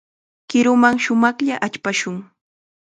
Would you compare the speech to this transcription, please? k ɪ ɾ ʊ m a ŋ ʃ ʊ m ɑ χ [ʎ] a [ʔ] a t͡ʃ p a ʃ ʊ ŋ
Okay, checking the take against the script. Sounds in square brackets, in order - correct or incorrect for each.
correct, correct

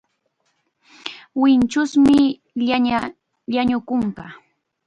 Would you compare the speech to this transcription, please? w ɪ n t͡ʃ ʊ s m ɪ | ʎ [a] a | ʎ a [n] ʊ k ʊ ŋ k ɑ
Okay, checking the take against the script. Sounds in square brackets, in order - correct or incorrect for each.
correct, incorrect: ɲ

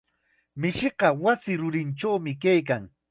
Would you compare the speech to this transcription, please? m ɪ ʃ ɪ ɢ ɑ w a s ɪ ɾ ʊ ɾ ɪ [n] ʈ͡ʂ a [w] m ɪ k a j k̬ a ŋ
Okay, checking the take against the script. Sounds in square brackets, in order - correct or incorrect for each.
correct, correct

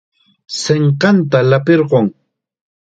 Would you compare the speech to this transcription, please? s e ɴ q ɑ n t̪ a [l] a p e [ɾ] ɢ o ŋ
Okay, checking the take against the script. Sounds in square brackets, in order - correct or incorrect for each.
correct, correct

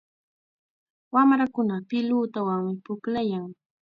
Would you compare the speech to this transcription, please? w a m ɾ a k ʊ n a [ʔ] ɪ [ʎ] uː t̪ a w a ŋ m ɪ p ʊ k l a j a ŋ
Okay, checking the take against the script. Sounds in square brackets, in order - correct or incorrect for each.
incorrect: p, incorrect: l

